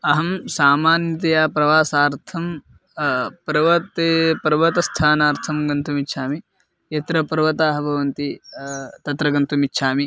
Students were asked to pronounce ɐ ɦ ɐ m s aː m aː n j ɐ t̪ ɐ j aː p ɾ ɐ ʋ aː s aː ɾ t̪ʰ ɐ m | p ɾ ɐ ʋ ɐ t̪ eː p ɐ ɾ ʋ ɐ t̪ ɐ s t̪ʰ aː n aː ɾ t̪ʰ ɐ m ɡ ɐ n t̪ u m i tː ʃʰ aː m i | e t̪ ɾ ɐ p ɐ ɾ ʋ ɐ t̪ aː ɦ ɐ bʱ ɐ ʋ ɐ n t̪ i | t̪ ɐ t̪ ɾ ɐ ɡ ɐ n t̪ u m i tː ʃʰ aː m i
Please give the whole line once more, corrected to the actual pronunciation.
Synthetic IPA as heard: ɐ ɦ ɐ m s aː m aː n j ɐ t̪ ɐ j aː p ɾ ɐ ʋ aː s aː ɾ t̪ʰ ɐ m | p ɾ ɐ ʋ ɐ t̪ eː p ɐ ɾ ʋ ɐ t̪ ɐ s t̪ʰ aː n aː ɾ t̪ʰ ɐ m ɡ ɐ n t̪ u m i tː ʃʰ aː m i | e t̪ ɾ ɐ p ɐ ɾ ʋ ɐ t̪ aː ɦ ɐ bʱ ɐ ʋ ɐ n t̪ i | t̪ ɐ t̪ ɾ ɐ ɡ ɐ n t̪ u m i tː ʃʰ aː m i